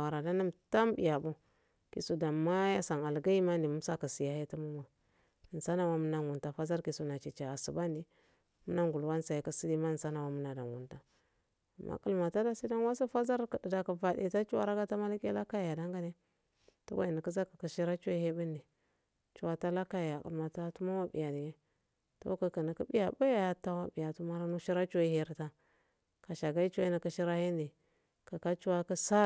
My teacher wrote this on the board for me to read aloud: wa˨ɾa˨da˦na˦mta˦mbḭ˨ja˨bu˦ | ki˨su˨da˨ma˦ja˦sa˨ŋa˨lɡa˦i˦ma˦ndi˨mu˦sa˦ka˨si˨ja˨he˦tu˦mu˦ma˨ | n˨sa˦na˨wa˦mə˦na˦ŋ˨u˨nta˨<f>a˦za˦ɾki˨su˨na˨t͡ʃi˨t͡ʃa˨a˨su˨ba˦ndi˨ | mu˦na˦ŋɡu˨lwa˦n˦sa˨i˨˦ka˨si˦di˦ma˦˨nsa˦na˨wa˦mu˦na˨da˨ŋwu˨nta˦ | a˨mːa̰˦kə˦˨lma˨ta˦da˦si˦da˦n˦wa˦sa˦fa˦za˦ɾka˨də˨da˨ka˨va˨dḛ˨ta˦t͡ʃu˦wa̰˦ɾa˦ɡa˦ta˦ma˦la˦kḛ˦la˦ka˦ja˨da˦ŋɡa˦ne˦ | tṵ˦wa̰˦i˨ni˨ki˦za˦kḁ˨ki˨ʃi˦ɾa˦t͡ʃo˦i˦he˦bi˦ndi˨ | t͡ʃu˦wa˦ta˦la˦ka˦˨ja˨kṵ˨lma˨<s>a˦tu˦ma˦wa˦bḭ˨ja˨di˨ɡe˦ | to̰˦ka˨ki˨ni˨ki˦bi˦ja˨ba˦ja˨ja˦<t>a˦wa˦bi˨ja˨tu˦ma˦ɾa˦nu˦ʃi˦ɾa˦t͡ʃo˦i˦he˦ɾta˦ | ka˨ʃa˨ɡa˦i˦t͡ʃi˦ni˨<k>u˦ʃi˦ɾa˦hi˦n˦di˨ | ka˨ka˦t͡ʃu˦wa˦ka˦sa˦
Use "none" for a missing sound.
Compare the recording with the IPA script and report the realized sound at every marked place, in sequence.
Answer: f, t, t, k

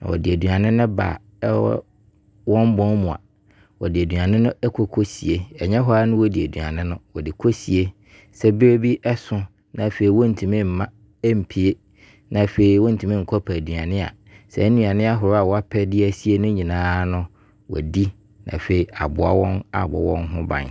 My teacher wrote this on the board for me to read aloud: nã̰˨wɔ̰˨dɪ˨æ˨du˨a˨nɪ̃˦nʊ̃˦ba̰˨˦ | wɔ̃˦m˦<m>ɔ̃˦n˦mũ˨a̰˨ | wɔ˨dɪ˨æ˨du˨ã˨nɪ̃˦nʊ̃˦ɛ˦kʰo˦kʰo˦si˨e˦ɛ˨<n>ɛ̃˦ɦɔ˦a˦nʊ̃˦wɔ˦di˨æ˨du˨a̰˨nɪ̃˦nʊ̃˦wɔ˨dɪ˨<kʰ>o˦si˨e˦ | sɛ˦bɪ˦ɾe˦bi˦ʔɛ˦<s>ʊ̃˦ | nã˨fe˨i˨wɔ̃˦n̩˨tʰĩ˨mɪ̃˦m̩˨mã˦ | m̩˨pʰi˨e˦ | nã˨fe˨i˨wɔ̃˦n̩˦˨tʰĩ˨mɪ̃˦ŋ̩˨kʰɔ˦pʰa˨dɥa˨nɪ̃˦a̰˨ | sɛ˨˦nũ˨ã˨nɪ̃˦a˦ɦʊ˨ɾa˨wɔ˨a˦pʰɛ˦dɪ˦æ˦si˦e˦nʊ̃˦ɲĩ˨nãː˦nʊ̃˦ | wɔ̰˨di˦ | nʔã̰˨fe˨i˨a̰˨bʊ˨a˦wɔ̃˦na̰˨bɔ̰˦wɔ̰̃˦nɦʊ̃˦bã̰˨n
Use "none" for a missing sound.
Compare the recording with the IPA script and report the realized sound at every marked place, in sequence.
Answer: b, ɲ, kʰ, s

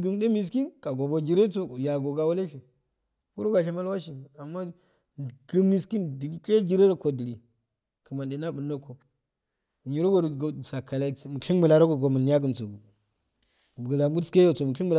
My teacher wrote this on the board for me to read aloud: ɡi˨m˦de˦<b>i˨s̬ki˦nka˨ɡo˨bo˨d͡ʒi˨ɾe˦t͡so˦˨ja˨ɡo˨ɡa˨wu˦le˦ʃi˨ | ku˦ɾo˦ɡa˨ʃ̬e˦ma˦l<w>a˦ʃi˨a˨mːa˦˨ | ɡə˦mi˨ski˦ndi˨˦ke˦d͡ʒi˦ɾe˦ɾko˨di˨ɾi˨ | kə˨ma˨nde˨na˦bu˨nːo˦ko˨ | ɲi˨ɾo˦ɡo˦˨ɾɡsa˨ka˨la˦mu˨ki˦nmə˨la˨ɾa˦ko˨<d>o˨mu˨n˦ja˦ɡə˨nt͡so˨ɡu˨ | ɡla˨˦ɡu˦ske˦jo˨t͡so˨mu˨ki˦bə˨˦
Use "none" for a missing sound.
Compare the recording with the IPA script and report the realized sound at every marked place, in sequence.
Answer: m, w, ɡ

